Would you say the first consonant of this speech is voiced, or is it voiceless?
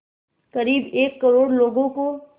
voiceless